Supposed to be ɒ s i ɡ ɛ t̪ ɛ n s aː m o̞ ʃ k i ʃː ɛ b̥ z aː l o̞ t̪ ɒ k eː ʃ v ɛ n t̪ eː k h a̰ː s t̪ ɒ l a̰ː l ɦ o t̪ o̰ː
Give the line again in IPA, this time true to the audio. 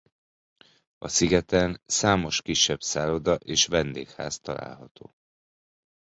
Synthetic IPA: ɒ s i ɡ ɛ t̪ ɛ n s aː m o̞ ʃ k i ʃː ɛ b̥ s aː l o̞ d̪ ɒ ʔ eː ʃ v ɛ n d̪ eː k h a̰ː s t̪ ɒ l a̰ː l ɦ ɒ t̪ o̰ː

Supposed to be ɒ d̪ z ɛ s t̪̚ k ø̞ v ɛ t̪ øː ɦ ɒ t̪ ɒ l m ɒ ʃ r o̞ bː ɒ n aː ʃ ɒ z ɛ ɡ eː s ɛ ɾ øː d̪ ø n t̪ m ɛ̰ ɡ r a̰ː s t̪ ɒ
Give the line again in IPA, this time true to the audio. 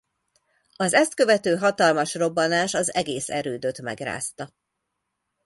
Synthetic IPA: ɒ z ɛ s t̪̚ k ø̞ v ɛ t̪ øː ɦ ɒ t̪ ɒ l m ɒ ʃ r o̞ bː ɒ n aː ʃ ɒ z ɛ ɡ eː s ɛ ɾ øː d̪ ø t̪ m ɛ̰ ɡ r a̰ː s t̪ ɒ

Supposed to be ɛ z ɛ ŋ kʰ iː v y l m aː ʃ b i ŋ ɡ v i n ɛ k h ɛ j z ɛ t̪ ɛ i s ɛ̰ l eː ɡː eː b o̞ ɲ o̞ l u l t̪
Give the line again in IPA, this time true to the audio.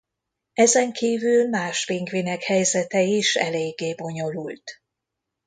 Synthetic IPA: ɛ z ɛ ŋ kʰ iː v y l m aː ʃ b i ŋ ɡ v i n ɛ k h ɛ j z ɛ t̪ ɛ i ʃ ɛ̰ l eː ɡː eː b o̞ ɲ o̞ l u l t̪

